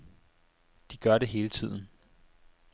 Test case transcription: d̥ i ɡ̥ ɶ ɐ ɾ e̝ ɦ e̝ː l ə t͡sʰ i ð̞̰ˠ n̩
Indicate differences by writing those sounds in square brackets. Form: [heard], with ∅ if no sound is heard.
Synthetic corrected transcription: d̥ i ɡ̥ ɶ ɐ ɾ e̝ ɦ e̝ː l ə t͡sʰ i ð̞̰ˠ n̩